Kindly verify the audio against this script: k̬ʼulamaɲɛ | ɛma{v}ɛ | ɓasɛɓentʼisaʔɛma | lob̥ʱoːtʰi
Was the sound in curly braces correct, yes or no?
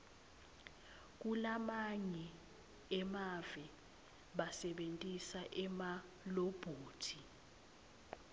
yes